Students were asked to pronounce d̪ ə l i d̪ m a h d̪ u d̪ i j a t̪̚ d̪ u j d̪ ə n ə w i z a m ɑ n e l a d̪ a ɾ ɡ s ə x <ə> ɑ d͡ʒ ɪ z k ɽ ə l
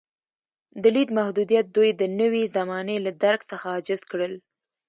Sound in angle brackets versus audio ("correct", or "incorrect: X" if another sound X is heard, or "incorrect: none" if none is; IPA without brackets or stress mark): incorrect: a